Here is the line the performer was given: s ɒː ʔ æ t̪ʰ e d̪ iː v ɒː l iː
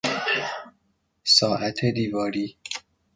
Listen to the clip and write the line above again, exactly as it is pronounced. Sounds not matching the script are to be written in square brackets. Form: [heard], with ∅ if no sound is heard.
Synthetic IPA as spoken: s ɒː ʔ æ t̪ʰ e d̪ iː v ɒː [ɾ] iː